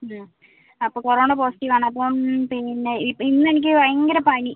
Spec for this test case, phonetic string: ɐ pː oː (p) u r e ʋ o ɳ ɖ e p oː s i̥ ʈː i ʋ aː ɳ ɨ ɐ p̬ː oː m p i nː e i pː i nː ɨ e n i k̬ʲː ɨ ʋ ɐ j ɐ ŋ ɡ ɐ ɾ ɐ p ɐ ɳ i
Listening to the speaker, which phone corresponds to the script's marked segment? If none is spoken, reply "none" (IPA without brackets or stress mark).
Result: k